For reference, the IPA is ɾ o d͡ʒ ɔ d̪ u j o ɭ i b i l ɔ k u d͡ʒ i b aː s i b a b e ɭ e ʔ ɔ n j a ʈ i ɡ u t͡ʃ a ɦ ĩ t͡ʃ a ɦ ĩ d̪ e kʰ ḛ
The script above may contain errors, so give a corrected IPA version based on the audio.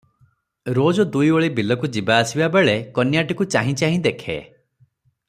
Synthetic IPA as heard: ɾ o d͡ʒ ɔ d̪ u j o ɭ i b i l ɔ k u d͡ʒ i b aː s i b a b e ɭ e k ɔ n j a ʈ i k u t͡ʃ a ɦ ĩ t͡ʃ a ɦ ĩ d̪ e kʰ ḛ